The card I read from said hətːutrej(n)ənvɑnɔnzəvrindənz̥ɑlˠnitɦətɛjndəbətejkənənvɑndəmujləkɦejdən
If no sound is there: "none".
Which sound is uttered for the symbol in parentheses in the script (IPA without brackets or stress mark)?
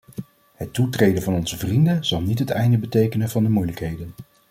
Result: d